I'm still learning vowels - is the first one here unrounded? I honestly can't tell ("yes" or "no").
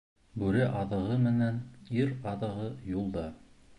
no